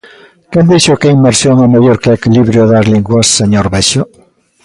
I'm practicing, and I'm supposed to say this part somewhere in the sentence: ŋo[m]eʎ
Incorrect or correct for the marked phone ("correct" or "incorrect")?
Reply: correct